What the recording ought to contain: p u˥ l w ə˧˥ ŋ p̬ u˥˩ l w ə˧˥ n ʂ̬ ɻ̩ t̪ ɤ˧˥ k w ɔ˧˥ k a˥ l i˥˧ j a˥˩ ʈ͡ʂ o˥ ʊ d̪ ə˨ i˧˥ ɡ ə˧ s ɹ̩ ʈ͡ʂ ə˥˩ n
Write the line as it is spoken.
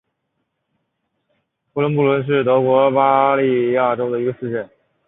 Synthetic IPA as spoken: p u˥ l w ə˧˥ n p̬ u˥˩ l w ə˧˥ n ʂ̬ ɻ̩ t̪ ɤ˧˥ k w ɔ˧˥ p a˥ l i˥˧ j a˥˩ ʈ͡ʂ o˥ ʊ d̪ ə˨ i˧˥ ɡ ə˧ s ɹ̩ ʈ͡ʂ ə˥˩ n